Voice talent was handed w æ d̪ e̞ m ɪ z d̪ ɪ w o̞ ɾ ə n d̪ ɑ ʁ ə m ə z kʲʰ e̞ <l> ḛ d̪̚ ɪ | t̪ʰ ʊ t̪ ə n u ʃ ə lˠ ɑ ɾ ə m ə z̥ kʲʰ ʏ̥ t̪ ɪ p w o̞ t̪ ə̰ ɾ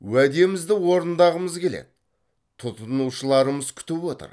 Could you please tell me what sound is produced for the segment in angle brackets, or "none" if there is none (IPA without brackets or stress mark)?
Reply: l